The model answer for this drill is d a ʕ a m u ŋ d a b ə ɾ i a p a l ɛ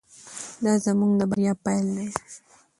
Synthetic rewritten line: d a z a m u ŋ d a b a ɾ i a p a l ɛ